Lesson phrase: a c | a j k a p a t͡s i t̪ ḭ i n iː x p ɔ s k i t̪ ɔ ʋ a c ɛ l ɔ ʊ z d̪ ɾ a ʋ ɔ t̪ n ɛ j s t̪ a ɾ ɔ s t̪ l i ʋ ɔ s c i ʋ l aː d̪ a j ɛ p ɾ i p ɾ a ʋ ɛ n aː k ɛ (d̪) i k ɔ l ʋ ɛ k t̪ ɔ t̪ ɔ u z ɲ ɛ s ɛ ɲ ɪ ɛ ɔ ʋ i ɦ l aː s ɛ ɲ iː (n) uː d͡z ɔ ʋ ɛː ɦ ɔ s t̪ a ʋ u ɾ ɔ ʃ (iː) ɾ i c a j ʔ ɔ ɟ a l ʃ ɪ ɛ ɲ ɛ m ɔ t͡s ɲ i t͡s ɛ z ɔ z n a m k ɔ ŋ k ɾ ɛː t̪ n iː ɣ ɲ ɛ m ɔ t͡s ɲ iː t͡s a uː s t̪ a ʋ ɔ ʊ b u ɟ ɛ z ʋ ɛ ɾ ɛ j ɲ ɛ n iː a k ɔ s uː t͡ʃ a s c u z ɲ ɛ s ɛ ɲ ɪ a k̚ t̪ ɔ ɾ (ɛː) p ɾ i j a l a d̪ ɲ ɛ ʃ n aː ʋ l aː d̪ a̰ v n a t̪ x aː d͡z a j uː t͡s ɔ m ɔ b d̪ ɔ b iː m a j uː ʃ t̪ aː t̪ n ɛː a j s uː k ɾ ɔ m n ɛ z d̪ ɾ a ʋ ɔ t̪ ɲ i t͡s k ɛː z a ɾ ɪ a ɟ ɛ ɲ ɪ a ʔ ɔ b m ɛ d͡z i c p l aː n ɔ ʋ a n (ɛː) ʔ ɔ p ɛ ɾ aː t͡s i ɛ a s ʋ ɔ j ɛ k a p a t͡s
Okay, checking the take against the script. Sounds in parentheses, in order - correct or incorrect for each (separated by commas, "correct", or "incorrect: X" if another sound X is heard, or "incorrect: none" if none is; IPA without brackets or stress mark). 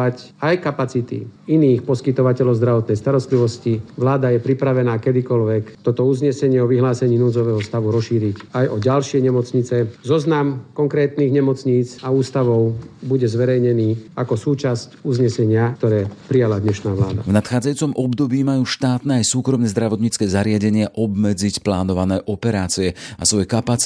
correct, correct, correct, correct, correct